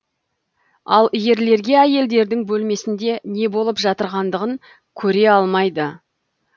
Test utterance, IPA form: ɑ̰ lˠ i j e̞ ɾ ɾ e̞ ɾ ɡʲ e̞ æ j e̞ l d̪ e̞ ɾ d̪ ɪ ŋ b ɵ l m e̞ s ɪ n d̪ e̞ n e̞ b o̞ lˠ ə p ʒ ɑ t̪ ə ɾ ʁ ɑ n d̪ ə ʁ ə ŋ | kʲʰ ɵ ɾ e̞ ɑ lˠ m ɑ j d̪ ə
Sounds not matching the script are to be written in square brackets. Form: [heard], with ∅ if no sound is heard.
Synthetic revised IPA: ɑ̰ lˠ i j e̞ ɾ [l] e̞ ɾ ɡʲ e̞ æ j e̞ l d̪ e̞ ɾ d̪ ɪ ŋ b ɵ l m e̞ s ɪ n d̪ e̞ n e̞ b o̞ lˠ ə p ʒ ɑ t̪ ə ɾ ʁ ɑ n d̪ ə ʁ ə ŋ | kʲʰ ɵ ɾ e̞ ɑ lˠ m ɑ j d̪ ə

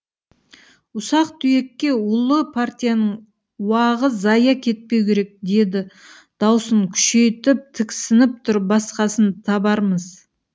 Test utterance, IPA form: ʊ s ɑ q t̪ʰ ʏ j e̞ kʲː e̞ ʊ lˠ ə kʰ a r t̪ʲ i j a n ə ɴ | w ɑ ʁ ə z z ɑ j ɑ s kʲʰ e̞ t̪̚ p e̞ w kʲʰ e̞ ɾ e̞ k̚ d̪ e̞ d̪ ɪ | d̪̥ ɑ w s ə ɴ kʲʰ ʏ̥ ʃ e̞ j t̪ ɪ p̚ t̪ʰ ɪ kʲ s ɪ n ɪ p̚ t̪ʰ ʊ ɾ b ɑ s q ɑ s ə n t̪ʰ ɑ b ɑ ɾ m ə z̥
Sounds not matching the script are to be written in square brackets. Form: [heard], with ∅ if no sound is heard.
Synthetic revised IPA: ʊ s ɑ q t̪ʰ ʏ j e̞ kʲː e̞ ʊ lˠ ə [pʰ] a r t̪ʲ i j a n ə ɴ | w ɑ ʁ ə z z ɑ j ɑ [∅] kʲʰ e̞ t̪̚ p e̞ w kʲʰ e̞ ɾ e̞ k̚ d̪ e̞ d̪ ɪ | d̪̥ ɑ w s ə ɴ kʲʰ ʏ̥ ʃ e̞ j t̪ ɪ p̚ t̪ʰ ɪ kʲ s ɪ n ɪ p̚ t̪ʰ ʊ ɾ b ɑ s q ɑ s ə n t̪ʰ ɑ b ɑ ɾ m ə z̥

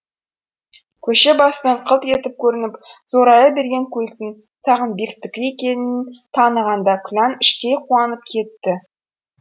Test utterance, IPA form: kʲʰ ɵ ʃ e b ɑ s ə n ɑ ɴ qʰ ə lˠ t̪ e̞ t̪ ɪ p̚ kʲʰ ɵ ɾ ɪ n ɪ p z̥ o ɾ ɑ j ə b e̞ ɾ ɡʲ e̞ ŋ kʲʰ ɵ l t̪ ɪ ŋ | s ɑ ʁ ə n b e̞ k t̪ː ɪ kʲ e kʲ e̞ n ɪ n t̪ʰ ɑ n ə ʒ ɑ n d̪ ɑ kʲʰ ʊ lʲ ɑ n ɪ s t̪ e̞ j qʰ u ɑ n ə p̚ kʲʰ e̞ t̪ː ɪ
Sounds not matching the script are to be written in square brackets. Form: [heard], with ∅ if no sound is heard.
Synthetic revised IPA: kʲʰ ɵ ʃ e b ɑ s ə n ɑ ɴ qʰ ə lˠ t̪ e̞ t̪ ɪ p̚ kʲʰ ɵ ɾ ɪ n ɪ p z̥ o ɾ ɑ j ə b e̞ ɾ ɡʲ e̞ ŋ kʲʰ ɵ l t̪ ɪ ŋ | s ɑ ʁ ə n b e̞ k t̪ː ɪ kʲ e kʲ e̞ n ɪ n t̪ʰ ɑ n ə [ʁ] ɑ n d̪ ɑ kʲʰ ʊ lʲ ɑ n ɪ [ʃ] t̪ e̞ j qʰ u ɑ n ə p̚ kʲʰ e̞ t̪ː ɪ

